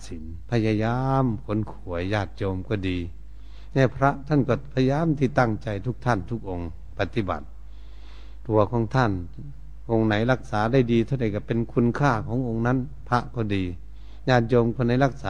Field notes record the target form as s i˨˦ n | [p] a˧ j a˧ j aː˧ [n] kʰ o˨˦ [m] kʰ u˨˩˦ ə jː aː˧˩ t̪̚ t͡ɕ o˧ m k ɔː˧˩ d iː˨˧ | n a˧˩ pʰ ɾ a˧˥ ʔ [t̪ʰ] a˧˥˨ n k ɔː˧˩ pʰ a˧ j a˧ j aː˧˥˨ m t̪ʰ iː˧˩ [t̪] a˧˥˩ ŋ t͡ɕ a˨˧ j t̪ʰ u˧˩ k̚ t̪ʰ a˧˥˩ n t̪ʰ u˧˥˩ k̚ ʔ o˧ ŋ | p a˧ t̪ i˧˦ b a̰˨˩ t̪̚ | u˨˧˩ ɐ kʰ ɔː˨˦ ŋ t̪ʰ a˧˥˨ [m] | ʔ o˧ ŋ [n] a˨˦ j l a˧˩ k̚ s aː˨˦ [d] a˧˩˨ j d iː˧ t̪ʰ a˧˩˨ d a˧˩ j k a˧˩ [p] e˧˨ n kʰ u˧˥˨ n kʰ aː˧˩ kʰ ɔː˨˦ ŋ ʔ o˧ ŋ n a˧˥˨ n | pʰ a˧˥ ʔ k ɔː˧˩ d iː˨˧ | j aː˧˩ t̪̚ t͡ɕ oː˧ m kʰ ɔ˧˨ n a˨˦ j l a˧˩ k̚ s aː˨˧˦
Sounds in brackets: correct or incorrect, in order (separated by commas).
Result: incorrect, incorrect, incorrect, correct, correct, incorrect, correct, correct, correct